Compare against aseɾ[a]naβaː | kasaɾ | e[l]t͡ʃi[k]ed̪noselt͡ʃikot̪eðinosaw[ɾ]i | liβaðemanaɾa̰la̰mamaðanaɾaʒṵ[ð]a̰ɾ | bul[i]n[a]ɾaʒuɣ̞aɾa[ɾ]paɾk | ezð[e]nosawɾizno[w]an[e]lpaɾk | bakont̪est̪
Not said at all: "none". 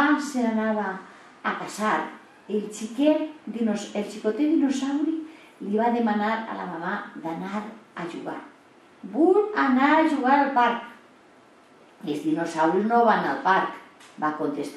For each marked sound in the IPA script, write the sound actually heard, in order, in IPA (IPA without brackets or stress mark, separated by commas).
a, l, k, ɾ, ɣ, a, a, l, i, β, a